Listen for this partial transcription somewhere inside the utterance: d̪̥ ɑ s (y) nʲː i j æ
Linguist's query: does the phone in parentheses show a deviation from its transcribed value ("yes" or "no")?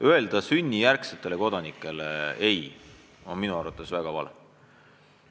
no